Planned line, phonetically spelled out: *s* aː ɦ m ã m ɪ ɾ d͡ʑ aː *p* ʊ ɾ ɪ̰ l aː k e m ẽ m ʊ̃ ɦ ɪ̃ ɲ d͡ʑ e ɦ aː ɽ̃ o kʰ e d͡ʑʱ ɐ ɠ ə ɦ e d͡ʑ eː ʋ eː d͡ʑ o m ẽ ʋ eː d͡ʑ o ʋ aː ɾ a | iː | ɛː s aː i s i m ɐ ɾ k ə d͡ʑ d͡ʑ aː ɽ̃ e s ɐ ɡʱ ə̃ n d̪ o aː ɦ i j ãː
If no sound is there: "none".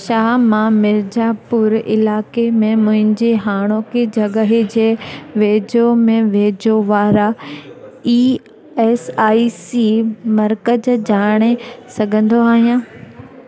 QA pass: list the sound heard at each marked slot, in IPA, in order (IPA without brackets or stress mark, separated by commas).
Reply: ʃ, p